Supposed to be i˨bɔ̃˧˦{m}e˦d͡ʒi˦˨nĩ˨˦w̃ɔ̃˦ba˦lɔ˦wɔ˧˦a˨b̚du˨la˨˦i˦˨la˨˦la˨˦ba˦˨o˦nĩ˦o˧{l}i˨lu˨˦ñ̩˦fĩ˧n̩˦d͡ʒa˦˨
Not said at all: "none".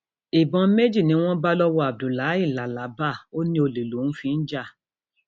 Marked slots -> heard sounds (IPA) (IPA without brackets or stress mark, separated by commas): m, l